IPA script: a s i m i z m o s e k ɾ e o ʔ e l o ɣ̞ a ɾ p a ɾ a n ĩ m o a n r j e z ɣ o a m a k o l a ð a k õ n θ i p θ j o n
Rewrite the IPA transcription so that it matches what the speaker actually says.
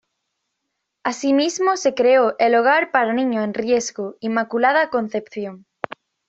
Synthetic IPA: a s i m i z m o s e k ɾ e o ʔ e l o ɣ̞ a ɾ p a ɾ a n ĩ ɲ o e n r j e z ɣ o i m a k u l a ð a k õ n θ e p θ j o ŋ